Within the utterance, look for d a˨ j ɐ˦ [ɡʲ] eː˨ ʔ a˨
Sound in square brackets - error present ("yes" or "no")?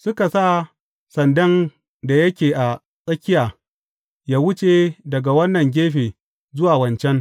yes